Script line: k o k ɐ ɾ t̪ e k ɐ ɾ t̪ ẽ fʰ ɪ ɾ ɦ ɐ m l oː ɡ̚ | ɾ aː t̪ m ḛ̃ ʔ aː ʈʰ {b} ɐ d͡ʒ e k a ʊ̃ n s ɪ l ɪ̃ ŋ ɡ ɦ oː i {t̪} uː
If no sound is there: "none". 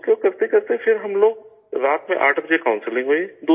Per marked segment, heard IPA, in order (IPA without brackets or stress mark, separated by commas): b, d̪